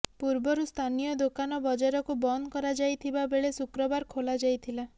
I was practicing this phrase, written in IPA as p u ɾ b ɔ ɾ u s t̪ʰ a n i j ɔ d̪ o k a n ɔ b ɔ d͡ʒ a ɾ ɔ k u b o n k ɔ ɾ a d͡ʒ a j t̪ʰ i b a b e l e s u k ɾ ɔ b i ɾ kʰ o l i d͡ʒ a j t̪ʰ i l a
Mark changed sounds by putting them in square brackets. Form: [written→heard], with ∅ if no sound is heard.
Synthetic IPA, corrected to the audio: p u ɾ b ɔ ɾ u s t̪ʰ a n i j ɔ d̪ o k a n ɔ b ɔ d͡ʒ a ɾ ɔ k u b [o→ɔ] n k ɔ ɾ a d͡ʒ a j t̪ʰ i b a b e [l→ɭ] e s u k ɾ ɔ b [i→a] ɾ kʰ o l [i→a] d͡ʒ a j t̪ʰ i l a